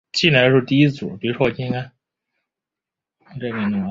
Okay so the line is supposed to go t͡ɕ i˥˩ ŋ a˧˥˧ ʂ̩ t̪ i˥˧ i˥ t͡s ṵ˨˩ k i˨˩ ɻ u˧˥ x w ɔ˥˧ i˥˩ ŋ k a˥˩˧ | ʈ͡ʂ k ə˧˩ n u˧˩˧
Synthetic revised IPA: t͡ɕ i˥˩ n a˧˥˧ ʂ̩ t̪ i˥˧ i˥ t͡s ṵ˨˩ p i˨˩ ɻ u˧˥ ʂ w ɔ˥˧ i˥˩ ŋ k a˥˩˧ | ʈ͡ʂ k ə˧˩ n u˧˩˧